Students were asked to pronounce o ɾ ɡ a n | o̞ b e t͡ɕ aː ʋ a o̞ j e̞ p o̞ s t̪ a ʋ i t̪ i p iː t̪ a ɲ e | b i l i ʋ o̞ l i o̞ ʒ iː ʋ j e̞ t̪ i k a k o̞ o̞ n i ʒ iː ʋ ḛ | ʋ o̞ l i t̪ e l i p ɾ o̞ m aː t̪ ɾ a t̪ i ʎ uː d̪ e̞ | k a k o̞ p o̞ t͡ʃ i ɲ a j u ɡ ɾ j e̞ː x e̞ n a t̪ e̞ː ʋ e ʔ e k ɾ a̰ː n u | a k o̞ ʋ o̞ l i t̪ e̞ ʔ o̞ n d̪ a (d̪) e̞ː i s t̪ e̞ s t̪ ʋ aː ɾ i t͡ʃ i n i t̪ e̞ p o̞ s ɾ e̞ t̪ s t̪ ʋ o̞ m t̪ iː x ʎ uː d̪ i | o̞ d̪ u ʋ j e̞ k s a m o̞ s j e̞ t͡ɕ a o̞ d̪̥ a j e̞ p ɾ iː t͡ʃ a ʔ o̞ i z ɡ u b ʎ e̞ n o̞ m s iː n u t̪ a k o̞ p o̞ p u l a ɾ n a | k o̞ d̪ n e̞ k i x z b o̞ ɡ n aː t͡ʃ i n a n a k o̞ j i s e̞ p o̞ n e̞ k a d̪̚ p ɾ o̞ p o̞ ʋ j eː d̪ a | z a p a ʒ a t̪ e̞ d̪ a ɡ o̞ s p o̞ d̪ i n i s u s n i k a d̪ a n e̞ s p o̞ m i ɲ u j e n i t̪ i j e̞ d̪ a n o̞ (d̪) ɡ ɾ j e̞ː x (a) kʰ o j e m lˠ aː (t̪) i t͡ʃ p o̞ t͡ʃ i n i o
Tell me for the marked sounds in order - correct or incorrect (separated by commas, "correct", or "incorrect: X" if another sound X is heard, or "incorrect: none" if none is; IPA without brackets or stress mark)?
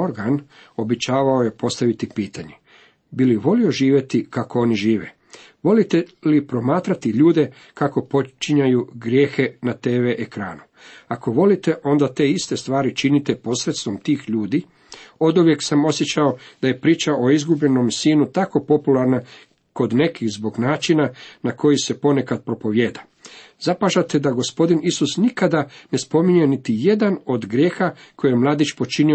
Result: incorrect: t̪, correct, correct, incorrect: d̪